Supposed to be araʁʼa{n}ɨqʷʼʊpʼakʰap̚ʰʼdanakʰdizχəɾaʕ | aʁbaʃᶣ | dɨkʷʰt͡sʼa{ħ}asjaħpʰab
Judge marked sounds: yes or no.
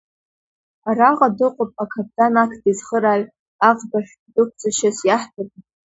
no, no

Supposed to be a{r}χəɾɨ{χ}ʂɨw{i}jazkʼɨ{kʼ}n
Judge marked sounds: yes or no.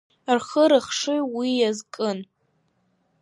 yes, yes, yes, no

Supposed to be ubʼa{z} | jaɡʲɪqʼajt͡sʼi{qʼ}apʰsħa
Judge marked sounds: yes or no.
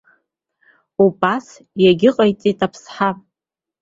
no, no

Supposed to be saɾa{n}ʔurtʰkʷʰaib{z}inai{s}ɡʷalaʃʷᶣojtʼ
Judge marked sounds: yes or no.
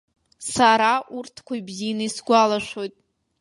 no, yes, yes

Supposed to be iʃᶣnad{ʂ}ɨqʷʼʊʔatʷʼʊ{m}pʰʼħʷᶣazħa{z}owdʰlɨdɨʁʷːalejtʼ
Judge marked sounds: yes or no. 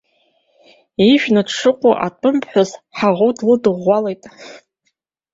yes, yes, no

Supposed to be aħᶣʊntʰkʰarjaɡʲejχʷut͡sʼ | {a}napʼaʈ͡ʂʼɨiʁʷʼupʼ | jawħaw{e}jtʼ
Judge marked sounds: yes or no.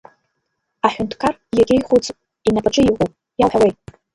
no, yes

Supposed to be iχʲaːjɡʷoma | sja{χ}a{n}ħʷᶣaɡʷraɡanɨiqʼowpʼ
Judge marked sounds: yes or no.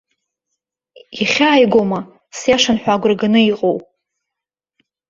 no, yes

